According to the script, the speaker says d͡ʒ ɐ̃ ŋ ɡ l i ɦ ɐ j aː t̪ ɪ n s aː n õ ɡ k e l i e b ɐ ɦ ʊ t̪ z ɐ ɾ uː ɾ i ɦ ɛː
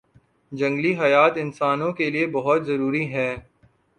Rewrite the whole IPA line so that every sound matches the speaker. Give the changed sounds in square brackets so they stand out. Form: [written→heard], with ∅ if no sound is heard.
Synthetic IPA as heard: d͡ʒ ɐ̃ ŋ ɡ l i ɦ ɐ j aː t̪ ɪ n s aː n õ [ɡ→∅] k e l i e b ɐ ɦ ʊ t̪ z ɐ ɾ uː ɾ i ɦ ɛː